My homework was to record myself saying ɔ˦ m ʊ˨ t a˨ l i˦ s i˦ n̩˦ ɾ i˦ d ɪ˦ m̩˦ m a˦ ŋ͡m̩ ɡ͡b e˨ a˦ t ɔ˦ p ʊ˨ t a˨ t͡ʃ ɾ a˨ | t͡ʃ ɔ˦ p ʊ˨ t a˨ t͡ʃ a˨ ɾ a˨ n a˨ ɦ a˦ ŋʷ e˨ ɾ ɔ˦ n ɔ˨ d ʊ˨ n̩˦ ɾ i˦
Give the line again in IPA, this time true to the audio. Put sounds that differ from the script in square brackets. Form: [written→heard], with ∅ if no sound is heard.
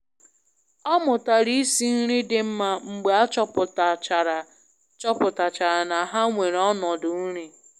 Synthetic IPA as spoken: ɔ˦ m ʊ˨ t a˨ [l→ɾ] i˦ s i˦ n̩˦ ɾ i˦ d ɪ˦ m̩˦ m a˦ ŋ͡m̩ ɡ͡b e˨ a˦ [t→t͡ʃ] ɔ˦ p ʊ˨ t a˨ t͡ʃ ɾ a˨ | t͡ʃ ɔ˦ p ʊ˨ t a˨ t͡ʃ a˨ ɾ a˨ n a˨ ɦ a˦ ŋʷ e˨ ɾ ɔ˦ n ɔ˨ d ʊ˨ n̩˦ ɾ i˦